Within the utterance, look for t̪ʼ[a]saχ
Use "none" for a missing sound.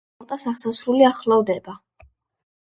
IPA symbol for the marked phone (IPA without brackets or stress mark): a